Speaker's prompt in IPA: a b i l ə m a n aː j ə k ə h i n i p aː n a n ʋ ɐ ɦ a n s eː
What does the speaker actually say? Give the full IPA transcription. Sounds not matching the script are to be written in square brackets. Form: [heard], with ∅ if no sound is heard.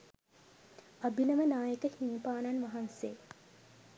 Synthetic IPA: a b i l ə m [ə] n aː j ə k ə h i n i p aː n a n ʋ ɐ ɦ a n s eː